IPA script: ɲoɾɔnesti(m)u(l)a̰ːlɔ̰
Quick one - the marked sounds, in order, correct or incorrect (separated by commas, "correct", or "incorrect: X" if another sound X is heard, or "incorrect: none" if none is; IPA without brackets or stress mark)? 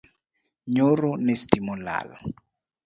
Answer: correct, correct